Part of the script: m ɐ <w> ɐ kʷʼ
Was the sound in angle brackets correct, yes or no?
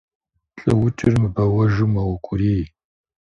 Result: yes